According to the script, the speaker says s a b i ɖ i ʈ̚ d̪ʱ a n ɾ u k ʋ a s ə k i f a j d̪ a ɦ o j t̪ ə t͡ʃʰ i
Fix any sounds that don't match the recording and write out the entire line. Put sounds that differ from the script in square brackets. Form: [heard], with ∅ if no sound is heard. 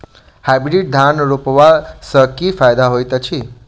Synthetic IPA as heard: [h] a b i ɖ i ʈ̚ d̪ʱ a n ɾ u [p] ʋ a s ə k i f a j d̪ a ɦ o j t̪ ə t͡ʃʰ i